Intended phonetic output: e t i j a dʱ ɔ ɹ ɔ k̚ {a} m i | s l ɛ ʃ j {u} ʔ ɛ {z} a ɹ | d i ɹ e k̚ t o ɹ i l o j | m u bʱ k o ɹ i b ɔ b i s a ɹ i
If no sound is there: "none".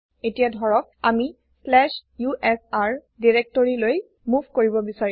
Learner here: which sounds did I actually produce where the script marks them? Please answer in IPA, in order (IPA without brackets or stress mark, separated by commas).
a, u, s